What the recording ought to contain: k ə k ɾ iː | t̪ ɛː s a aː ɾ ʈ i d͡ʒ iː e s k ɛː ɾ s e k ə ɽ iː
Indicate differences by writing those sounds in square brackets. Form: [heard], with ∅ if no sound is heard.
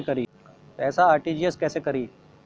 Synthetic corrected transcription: k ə [∅] ɾ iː | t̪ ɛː s a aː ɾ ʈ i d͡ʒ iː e s k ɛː [∅] s e k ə [ɾ] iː